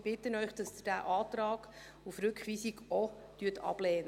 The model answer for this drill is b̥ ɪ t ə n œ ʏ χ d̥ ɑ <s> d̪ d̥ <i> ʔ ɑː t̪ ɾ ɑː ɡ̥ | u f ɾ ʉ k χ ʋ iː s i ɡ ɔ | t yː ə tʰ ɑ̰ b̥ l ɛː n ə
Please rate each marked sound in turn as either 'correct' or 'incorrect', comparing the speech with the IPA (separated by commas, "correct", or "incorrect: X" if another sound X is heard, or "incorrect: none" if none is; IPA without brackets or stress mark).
correct, incorrect: æ